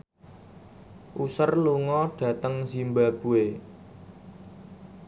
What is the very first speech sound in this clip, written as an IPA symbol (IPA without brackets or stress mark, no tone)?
ʔ